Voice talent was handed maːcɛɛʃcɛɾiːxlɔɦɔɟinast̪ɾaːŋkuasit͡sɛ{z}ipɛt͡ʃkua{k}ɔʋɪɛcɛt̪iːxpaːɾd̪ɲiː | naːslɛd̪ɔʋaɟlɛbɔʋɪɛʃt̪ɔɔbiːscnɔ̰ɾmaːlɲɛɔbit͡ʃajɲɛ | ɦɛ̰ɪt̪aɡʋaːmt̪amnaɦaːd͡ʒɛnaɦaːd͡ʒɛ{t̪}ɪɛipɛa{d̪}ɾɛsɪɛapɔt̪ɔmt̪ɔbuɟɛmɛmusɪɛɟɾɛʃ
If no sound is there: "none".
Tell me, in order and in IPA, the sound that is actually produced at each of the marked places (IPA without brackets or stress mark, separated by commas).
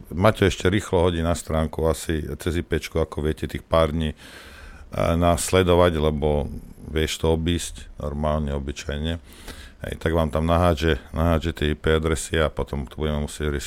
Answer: z, k, t̪, d̪